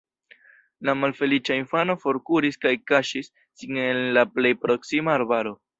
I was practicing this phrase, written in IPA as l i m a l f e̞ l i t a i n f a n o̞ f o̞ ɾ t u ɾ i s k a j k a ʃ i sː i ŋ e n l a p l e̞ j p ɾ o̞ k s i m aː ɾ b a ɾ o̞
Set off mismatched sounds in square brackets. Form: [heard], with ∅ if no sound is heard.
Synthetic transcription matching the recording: l [a] m a l f e̞ l i [t͡ʃ] a i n f a n o̞ f o̞ ɾ [k] u ɾ i s k a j k a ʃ i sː i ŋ e n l a p l e̞ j p ɾ o̞ k s i m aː ɾ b a ɾ o̞